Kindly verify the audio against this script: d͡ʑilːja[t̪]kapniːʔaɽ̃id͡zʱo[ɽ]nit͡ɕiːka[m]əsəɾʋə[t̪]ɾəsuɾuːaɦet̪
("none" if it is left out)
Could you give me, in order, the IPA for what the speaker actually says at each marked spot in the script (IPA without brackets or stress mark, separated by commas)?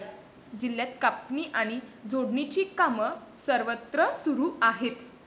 t̪, ɽ, m, t̪